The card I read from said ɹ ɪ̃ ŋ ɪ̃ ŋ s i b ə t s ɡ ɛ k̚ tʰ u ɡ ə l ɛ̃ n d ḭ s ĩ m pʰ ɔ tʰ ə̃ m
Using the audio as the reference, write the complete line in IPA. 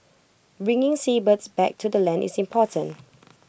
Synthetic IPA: ɹ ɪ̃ ŋ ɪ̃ ŋ s i b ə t s b ɛ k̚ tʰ u d ə l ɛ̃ n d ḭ s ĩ m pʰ ɔ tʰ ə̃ n